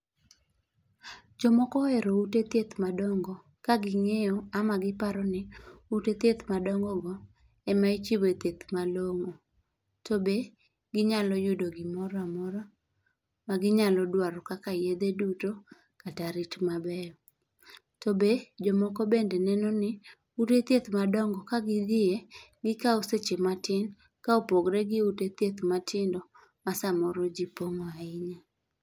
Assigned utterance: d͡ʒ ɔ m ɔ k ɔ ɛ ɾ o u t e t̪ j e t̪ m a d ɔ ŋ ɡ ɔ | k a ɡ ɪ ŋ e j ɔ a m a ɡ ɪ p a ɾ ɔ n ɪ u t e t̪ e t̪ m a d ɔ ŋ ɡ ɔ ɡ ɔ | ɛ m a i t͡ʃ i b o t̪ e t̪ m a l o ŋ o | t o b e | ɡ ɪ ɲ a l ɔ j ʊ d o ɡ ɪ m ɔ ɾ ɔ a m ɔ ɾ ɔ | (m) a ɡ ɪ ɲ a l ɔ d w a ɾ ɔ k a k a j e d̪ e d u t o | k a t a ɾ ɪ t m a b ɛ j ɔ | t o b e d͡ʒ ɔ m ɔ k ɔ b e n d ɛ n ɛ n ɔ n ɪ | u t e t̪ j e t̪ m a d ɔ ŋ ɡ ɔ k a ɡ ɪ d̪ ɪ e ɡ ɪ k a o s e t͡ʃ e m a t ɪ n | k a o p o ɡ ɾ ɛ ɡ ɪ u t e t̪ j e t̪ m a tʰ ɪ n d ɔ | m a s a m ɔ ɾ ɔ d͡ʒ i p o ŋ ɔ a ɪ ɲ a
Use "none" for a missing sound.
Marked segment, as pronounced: m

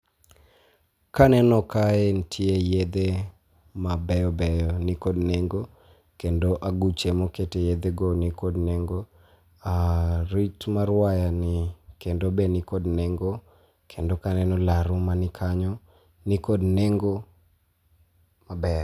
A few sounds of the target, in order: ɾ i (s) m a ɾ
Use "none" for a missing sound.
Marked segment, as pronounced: t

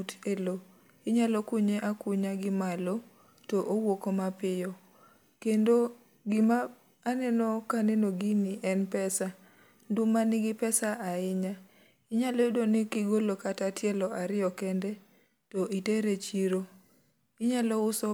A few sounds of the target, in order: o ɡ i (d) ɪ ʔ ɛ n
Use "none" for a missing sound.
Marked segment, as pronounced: n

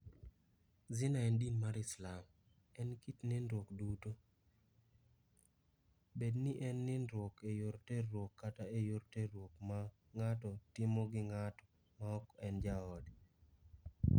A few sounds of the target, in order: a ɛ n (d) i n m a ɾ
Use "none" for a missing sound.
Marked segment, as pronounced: d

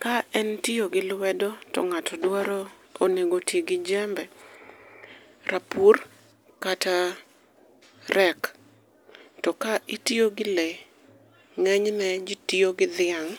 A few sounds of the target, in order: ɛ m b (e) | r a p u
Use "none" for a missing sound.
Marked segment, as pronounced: ɛ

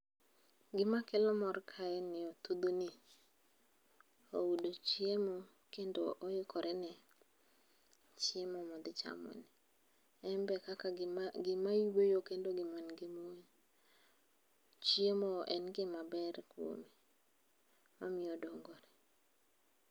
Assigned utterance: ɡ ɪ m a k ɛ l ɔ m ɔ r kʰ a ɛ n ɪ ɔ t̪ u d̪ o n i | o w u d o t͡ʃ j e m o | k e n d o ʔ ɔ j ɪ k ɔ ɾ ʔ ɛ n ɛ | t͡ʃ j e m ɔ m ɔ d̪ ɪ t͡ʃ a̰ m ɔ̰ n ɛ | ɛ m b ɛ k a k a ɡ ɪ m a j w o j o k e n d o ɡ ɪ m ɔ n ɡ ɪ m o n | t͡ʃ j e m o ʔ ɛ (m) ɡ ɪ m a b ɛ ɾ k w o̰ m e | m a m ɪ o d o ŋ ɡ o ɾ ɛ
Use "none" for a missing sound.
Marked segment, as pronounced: n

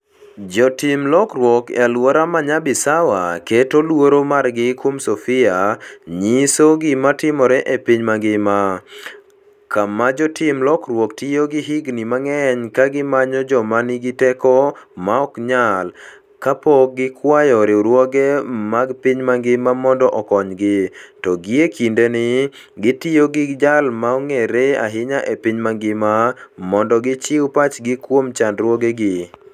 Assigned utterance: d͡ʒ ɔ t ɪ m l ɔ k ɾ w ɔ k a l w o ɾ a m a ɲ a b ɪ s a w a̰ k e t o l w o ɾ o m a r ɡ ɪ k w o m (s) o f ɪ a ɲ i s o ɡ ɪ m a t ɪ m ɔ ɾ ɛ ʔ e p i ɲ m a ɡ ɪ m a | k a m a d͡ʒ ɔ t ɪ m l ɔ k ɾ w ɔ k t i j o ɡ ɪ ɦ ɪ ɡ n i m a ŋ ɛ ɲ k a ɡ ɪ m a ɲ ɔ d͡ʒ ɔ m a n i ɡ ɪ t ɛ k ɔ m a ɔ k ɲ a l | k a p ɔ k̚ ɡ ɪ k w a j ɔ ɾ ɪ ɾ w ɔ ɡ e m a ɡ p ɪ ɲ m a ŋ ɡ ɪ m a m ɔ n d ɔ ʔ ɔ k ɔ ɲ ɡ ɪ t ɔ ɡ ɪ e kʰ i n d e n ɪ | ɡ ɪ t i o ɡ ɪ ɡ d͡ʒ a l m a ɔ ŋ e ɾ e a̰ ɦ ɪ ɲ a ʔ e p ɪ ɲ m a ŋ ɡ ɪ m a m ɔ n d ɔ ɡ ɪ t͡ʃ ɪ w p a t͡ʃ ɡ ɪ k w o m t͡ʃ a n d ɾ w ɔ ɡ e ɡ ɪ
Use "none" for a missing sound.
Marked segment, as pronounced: s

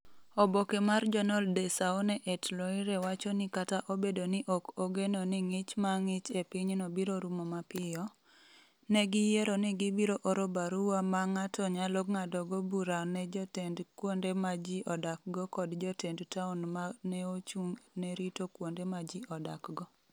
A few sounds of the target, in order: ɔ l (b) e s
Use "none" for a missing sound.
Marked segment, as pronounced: d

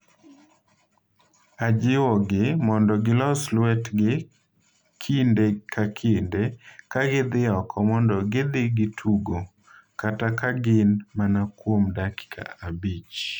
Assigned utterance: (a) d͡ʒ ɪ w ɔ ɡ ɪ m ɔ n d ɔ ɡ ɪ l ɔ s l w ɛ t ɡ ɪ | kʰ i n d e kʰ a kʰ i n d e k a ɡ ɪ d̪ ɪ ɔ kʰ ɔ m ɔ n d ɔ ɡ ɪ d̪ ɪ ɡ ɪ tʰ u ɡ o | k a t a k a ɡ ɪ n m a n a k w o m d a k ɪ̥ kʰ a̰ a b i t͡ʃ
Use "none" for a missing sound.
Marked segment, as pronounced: a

